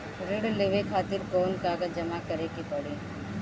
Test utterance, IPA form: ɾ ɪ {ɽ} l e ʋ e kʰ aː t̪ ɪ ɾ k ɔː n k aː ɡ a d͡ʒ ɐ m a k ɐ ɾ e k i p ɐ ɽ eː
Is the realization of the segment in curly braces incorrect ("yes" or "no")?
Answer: no